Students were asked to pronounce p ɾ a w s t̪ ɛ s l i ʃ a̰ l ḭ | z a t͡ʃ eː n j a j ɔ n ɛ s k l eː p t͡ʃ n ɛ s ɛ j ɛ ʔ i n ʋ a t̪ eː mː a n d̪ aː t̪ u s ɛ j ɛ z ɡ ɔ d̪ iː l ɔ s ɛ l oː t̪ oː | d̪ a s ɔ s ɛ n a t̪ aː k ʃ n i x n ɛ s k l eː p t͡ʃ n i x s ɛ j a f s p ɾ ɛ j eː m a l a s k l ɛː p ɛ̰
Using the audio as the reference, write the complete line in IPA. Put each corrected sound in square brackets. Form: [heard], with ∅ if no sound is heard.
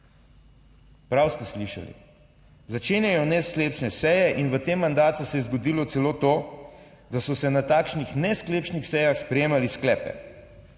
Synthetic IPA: p ɾ a w s t̪ ɛ s l i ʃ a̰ l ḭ | z a t͡ʃ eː n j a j ɔ n ɛ s k l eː p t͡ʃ n ɛ s ɛ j ɛ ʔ i n ʋ [ə] t̪ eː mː a n d̪ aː t̪ u s ɛ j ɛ z ɡ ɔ d̪ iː l ɔ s ɛ l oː t̪ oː | d̪ a s ɔ s ɛ n a t̪ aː k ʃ n i x n ɛ s k l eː p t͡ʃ n i x s ɛ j a [x] s p ɾ ɛ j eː m a l [i] s k l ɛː p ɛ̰